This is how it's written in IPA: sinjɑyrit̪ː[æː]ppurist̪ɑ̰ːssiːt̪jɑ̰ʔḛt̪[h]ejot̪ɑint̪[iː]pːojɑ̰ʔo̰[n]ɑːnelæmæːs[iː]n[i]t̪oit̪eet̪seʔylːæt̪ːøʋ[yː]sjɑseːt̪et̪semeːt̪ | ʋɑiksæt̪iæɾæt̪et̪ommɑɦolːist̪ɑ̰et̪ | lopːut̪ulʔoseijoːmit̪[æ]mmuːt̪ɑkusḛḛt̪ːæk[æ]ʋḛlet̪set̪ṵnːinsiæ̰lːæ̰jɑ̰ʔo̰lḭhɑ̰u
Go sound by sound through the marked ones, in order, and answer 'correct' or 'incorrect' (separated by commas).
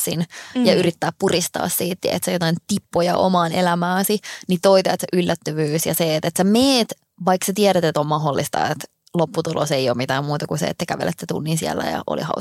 correct, incorrect, incorrect, incorrect, incorrect, correct, correct, incorrect, correct